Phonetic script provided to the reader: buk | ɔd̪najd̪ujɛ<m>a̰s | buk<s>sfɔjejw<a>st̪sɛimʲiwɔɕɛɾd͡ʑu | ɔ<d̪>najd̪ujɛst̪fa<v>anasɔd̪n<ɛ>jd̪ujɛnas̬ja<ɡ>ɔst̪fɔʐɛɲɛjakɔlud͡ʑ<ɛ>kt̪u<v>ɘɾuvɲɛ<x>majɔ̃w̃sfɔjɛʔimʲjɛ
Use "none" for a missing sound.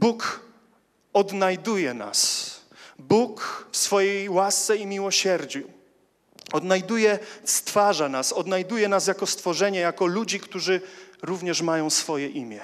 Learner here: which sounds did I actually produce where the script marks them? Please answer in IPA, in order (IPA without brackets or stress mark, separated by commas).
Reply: n, f, a, d̪, ʐ, a, k, i, ʐ, ʂ